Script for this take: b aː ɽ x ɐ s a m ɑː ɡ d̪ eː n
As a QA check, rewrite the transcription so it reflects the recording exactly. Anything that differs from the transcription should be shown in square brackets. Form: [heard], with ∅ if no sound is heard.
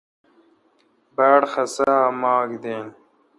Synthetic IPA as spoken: b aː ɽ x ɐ s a m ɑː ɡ d̪ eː n